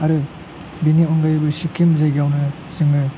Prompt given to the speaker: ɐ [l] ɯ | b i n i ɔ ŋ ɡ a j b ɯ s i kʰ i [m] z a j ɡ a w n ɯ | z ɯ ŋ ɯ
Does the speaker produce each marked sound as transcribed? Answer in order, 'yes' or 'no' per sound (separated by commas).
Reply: no, yes